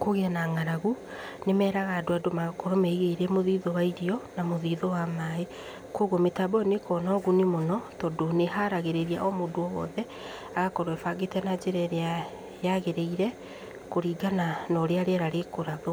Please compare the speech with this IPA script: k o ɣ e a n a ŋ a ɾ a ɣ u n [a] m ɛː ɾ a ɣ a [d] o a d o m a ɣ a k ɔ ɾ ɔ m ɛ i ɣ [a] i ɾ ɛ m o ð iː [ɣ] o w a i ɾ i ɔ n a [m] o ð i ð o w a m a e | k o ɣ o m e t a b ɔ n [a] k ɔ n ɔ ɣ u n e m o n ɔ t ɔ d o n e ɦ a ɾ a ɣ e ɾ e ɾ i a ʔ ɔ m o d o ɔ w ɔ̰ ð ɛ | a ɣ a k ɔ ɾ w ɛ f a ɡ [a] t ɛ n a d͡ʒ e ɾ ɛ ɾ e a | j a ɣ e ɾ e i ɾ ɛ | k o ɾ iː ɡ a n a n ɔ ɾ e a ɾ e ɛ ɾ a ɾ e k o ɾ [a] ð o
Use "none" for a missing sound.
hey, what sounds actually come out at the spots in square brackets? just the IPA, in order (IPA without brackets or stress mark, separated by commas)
e, d, e, ð, m, e, e, a